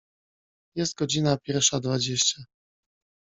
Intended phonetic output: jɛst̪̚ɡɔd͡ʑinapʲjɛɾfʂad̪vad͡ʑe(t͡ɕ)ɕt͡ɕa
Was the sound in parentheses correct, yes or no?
no